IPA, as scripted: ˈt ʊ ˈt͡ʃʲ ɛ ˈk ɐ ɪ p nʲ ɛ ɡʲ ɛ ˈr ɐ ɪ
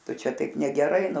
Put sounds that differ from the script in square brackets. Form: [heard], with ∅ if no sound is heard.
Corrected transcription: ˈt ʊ ˈt͡ʃʲ ɛ [ˈt] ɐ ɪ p nʲ ɛ ɡʲ ɛ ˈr ɐ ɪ